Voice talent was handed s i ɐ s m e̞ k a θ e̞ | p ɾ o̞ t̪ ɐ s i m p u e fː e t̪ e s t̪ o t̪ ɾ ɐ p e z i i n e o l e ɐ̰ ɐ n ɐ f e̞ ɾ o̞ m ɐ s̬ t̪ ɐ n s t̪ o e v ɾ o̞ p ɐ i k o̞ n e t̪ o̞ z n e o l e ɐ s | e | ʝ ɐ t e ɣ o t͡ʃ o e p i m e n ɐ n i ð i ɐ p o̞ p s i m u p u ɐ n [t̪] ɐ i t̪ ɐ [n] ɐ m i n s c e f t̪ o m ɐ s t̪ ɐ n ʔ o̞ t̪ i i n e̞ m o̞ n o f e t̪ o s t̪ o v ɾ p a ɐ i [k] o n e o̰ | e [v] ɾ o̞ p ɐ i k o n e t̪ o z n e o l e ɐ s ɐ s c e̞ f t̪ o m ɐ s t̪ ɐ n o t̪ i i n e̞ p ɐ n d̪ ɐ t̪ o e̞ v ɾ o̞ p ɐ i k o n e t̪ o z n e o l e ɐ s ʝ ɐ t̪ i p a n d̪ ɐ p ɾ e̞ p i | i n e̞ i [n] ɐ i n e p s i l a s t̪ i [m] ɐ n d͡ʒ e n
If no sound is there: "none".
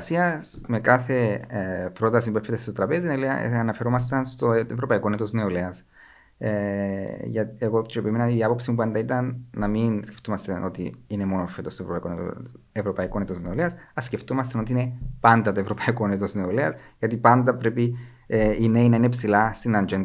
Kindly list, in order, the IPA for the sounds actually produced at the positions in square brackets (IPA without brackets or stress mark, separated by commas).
d̪, nː, k, v, n, n